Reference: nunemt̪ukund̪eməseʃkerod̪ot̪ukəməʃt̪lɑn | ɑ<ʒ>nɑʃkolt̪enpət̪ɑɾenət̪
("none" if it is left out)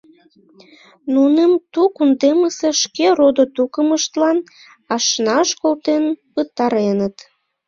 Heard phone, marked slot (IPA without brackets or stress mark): ʃ